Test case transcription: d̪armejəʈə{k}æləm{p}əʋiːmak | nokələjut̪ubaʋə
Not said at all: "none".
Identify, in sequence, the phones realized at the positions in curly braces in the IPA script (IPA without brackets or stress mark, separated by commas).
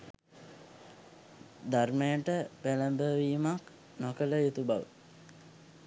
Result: p, b